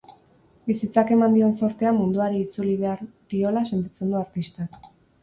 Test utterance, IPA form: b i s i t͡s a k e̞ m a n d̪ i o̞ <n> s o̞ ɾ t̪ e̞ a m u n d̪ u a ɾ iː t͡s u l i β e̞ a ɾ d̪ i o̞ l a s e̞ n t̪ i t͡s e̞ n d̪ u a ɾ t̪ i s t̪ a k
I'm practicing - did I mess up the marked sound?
no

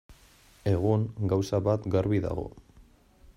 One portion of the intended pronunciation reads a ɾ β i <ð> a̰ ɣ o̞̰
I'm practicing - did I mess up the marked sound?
no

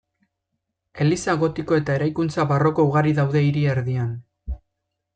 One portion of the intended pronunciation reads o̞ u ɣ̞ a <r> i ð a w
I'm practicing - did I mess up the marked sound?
yes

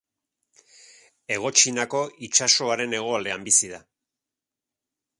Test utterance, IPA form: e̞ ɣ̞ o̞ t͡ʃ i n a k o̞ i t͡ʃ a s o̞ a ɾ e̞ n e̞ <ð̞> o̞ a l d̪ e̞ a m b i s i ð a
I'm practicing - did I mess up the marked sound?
yes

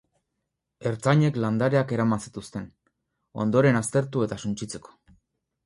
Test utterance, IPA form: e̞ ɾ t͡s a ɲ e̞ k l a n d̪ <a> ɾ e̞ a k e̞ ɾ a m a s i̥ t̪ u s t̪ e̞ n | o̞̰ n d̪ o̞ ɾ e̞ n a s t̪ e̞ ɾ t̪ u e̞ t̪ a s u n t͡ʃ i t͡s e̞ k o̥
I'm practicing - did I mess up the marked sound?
no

